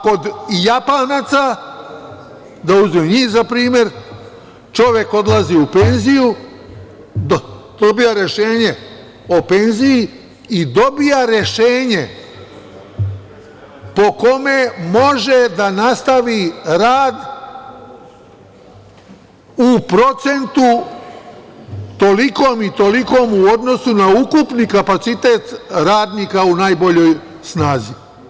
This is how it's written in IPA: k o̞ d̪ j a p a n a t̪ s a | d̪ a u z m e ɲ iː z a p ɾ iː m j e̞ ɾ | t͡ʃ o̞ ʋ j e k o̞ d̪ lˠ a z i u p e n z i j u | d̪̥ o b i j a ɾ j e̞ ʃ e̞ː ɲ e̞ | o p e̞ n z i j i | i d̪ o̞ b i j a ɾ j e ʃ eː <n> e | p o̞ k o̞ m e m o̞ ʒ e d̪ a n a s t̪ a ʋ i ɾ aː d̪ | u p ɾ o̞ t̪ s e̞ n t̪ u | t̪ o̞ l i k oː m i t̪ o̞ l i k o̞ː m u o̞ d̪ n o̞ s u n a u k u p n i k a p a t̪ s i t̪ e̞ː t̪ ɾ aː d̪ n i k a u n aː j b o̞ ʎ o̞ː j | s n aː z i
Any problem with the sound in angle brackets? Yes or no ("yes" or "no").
yes